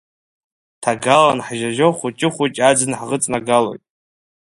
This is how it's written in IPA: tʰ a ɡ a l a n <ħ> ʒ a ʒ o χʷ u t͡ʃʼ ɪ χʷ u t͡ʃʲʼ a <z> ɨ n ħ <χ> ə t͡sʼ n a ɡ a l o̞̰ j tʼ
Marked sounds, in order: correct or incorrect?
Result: correct, incorrect: d͡z, incorrect: ʁ

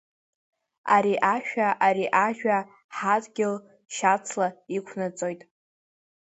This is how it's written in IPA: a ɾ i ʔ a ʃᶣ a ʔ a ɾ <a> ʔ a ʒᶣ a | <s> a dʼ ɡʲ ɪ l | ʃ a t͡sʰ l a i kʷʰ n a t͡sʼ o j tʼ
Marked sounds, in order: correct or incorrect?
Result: incorrect: i, incorrect: ħ

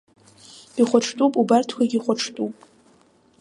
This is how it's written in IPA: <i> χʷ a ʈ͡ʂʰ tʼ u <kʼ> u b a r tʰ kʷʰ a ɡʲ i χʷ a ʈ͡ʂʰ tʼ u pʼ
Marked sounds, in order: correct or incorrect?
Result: correct, incorrect: pʼ

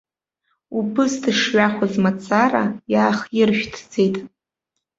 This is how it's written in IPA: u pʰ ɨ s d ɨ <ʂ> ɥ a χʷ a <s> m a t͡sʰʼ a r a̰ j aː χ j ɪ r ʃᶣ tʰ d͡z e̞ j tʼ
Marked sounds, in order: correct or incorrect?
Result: correct, incorrect: z

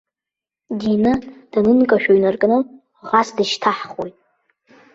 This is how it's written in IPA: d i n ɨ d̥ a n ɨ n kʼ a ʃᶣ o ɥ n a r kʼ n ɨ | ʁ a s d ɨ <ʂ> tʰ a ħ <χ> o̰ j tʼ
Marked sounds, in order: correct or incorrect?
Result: incorrect: ʃ, correct

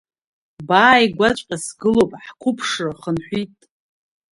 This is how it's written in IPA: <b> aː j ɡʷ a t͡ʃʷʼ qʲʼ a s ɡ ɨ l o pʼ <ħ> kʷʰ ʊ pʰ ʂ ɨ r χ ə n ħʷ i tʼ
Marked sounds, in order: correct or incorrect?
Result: correct, correct

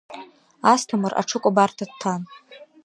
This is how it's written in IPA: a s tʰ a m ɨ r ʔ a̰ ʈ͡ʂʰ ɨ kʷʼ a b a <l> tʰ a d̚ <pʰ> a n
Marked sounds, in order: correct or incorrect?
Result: incorrect: r, incorrect: tʰ

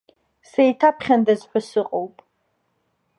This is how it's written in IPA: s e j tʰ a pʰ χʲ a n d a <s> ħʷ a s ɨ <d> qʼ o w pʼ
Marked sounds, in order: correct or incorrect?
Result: incorrect: z, incorrect: none

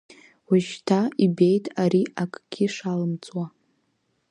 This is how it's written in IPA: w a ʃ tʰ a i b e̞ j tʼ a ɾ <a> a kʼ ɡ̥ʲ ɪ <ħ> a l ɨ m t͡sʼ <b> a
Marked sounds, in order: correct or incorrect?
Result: incorrect: i, incorrect: ʂ, incorrect: w

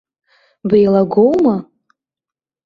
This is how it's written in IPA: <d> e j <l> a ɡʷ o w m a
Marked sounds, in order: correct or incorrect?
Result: incorrect: b, correct

